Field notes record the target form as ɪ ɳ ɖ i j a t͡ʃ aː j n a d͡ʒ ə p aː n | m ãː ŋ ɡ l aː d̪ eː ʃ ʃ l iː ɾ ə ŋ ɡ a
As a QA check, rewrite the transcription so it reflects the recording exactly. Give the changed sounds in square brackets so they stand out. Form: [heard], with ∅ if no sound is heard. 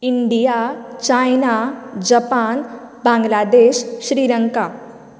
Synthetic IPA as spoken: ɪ ɳ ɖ i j a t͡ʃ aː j n a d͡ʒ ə p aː n | [b] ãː ŋ ɡ l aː d̪ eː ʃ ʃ [ɾ] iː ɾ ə ŋ [k] a